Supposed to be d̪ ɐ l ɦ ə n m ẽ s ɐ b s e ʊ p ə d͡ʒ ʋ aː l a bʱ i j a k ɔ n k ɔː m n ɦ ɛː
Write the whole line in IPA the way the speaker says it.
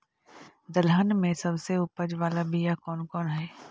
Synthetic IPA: d̪ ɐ l ɦ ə n m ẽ s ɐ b s e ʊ p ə d͡ʒ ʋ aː l a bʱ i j a k ɔː n k ɔː n ɦ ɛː